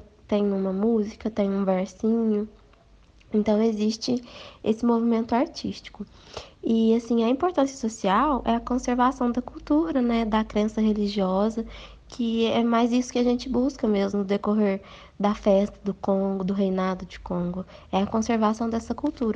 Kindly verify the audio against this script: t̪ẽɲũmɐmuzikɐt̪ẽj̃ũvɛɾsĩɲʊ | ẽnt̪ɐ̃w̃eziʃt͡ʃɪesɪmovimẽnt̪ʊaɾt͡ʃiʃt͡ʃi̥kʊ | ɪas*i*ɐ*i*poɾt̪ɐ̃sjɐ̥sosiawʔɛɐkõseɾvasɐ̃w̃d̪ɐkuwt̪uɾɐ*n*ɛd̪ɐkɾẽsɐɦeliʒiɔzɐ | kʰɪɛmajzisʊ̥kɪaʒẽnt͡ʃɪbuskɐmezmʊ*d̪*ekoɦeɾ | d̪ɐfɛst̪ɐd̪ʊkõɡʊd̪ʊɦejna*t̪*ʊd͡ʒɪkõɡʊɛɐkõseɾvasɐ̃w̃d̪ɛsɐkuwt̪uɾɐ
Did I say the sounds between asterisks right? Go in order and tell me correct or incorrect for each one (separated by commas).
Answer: incorrect, incorrect, correct, correct, incorrect